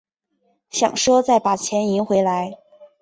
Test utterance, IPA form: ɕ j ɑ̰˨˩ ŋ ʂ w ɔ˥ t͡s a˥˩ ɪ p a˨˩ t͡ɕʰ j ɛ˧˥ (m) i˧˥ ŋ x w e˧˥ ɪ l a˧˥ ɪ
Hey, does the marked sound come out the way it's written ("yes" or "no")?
no